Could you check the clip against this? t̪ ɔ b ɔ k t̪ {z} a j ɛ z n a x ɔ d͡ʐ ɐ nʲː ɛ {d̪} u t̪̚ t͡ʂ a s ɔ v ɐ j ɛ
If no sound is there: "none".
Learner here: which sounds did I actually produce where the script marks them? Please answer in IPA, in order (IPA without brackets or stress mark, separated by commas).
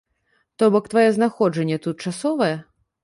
v, t̪